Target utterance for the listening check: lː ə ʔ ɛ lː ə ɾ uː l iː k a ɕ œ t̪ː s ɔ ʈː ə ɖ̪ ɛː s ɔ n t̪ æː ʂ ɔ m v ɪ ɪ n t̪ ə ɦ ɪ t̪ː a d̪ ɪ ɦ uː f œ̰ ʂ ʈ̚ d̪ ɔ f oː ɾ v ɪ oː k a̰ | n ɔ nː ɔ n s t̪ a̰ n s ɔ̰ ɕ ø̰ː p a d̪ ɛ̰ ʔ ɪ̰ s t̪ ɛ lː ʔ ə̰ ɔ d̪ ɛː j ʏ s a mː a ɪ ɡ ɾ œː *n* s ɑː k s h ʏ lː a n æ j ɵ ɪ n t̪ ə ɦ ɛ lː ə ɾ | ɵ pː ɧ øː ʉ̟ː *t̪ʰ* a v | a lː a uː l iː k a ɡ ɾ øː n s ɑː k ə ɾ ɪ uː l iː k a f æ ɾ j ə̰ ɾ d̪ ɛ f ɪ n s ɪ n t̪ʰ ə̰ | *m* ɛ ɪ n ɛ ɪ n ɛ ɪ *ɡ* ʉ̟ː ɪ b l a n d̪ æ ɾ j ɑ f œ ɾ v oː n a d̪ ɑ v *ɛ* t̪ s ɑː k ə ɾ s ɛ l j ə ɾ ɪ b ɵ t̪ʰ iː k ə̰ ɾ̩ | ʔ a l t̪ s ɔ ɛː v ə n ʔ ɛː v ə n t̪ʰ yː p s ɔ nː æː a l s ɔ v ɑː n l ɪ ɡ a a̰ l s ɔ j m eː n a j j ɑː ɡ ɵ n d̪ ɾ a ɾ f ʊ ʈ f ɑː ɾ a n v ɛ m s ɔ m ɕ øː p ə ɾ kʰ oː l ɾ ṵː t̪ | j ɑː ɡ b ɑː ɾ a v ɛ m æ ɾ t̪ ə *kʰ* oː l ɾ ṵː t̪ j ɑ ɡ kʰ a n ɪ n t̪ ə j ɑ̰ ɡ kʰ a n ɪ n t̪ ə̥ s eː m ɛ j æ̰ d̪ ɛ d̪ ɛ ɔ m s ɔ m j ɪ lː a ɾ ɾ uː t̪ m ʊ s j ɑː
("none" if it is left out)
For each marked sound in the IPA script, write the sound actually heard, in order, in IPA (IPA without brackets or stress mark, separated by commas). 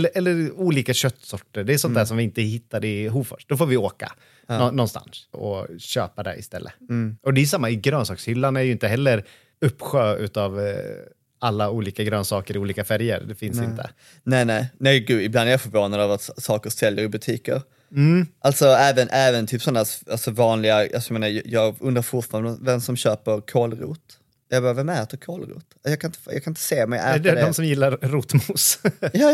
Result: n, t̪, n, ɡ, a, kʰ